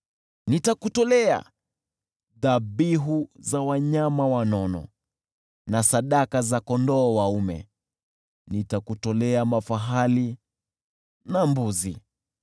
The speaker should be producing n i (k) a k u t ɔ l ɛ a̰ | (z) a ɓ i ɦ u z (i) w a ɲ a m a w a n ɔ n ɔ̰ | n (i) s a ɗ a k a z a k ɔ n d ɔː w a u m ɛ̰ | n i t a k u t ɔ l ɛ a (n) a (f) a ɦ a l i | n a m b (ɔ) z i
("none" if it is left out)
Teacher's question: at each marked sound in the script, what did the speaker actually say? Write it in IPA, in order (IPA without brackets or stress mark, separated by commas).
t, ð, a, a, m, f, u